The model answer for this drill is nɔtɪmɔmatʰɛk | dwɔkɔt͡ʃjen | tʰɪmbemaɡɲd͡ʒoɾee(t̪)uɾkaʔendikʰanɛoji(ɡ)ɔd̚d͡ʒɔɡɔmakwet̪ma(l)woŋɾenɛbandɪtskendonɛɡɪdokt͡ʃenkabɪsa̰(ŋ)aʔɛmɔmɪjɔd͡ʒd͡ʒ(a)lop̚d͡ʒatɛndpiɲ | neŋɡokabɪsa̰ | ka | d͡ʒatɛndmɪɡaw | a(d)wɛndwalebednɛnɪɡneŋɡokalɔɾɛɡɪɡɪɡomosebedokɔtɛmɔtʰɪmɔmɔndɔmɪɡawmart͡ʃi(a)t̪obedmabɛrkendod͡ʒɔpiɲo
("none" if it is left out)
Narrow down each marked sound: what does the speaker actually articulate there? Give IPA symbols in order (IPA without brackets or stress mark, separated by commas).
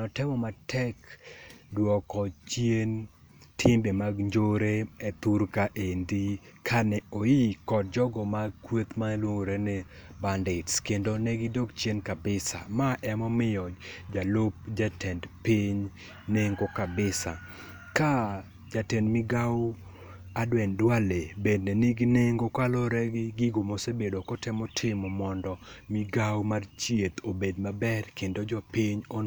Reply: t̪, k, l, m, a, d, e